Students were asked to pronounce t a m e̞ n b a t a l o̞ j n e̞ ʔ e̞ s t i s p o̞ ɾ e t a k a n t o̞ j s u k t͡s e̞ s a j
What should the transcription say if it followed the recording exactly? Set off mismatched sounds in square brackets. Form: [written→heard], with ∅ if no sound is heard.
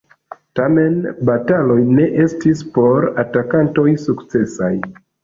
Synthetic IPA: t a m e̞ n b a t a l o̞ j n e̞ ʔ e̞ s t i s p o̞ ɾ [e→a] t a k a n t o̞ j s u k t͡s e̞ s a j